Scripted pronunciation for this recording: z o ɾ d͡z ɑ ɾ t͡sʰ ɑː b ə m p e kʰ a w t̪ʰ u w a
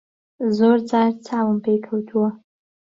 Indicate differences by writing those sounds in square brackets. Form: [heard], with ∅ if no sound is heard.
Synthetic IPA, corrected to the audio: z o ɾ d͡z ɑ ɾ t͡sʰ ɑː [w] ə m p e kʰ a w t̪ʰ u w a

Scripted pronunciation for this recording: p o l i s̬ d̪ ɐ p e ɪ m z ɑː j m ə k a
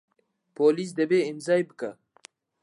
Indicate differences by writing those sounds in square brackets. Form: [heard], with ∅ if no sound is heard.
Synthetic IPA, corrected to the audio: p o l i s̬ d̪ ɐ [b] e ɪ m z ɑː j [b] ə k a

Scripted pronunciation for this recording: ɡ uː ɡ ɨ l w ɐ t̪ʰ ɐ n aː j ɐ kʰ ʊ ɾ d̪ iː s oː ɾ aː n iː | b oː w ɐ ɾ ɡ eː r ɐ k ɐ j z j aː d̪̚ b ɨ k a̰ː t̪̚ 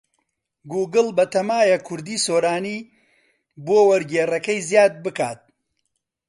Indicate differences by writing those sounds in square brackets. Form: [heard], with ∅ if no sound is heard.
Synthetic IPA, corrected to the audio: ɡ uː ɡ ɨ l [b] ɐ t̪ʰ ɐ [m] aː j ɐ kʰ ʊ ɾ d̪ iː s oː ɾ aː n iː | b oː w ɐ ɾ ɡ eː r ɐ k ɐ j z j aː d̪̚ b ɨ k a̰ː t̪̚

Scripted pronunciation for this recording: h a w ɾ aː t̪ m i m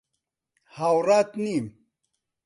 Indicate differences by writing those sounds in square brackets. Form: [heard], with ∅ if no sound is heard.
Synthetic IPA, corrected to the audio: h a w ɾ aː t̪ [n] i m

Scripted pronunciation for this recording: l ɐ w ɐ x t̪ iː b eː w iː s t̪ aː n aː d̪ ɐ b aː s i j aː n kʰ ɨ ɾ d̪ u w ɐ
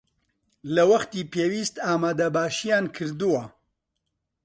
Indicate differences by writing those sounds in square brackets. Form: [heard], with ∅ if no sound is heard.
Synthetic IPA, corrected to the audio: l ɐ w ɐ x t̪ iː [p] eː w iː s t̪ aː [m] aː d̪ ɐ b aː [ʃ] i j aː n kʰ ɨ ɾ d̪ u w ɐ

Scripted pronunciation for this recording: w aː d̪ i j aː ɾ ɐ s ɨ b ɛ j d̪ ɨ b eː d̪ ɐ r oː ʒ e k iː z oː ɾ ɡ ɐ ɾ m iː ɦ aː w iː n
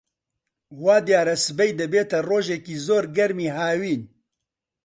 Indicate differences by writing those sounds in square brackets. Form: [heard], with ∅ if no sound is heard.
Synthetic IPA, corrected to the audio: w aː d̪ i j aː ɾ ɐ s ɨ b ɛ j d̪ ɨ b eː [t̪] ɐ r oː ʒ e k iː z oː ɾ ɡ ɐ ɾ m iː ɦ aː w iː n

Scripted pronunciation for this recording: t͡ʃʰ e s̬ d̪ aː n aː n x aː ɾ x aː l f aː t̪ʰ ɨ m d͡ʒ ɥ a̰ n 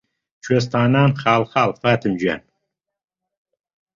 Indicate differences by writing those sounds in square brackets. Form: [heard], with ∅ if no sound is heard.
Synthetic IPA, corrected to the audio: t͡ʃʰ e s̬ [t̪] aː n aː n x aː [l] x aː l f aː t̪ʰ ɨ m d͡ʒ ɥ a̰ n

